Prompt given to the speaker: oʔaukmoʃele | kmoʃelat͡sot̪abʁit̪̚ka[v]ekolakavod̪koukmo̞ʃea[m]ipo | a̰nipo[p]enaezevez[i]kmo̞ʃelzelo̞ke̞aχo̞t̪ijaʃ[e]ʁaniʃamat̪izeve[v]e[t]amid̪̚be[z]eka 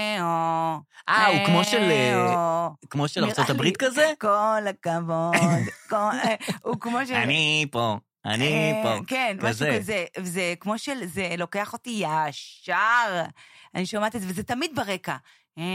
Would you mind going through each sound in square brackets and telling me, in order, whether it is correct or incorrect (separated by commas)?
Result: incorrect, incorrect, incorrect, incorrect, incorrect, incorrect, correct, incorrect